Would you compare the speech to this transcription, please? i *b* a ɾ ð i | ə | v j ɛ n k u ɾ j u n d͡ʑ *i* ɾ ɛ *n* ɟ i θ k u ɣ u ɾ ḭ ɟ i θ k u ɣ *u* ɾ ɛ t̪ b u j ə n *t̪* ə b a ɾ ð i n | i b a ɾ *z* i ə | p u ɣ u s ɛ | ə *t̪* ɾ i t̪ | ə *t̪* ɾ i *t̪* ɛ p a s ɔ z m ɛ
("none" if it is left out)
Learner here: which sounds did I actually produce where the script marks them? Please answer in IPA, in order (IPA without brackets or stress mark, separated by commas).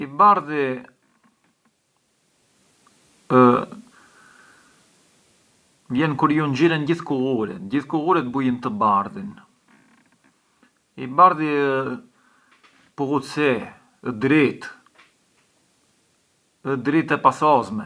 b, i, n, u, t̪, ð, d̪, d̪, t̪